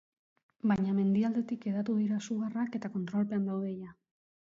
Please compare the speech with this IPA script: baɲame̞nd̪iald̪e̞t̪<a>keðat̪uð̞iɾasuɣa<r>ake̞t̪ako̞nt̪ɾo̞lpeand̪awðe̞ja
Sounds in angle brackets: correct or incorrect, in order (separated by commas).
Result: incorrect, correct